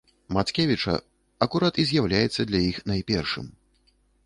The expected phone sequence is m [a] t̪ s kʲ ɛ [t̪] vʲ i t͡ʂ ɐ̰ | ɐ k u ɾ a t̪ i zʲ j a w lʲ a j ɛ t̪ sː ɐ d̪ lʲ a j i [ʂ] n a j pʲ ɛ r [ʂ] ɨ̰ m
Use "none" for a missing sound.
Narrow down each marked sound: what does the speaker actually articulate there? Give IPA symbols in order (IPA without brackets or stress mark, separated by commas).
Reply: a, none, x, ʂ